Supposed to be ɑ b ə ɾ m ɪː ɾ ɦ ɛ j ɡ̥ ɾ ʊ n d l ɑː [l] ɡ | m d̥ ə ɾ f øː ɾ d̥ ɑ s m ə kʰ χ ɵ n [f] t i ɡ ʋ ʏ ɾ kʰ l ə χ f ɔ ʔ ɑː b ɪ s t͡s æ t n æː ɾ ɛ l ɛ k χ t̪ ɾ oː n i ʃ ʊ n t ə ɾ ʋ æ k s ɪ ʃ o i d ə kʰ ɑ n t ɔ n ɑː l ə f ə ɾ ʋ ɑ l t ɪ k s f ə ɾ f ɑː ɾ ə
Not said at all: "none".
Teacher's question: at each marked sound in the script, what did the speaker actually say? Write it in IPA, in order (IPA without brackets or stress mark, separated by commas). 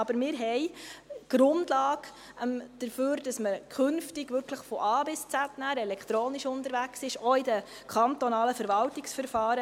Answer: none, f